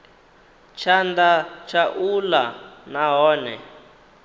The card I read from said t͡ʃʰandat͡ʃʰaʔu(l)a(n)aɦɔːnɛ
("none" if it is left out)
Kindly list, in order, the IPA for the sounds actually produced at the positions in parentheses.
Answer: l, n

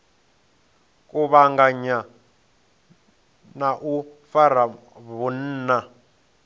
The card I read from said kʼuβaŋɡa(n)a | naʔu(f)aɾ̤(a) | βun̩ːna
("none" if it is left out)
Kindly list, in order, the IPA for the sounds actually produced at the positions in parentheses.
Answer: ɲ, f, a

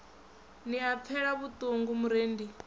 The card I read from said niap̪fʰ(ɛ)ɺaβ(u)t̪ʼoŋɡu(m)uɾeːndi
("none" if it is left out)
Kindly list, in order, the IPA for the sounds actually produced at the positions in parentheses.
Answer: ɛ, u, m

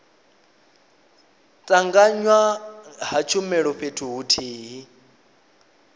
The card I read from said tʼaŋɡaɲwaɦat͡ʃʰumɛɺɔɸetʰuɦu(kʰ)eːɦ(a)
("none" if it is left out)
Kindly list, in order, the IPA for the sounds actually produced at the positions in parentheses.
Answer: tʰ, i

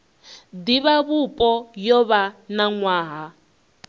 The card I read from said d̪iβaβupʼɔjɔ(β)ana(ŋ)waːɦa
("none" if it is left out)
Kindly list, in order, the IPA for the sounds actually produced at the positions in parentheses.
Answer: β, ŋ

